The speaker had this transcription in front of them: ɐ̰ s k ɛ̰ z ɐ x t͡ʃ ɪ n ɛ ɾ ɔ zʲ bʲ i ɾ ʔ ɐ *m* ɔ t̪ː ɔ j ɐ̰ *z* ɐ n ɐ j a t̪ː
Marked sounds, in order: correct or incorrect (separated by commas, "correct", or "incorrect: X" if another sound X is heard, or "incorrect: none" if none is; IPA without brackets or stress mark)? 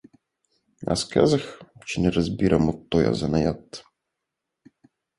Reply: correct, correct